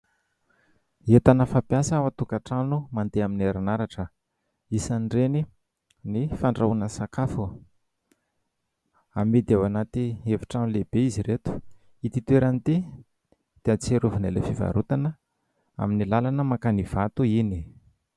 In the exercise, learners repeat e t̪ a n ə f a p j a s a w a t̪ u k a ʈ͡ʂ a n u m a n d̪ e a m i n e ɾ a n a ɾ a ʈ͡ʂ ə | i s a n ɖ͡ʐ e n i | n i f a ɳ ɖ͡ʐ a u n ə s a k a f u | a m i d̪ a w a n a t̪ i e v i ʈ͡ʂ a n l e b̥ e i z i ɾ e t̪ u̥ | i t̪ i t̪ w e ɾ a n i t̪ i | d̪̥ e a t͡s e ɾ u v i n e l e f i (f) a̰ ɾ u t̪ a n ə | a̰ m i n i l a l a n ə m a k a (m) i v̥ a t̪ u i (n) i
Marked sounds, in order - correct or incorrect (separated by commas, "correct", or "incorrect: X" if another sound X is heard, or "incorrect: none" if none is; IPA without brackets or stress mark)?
incorrect: v, incorrect: n, correct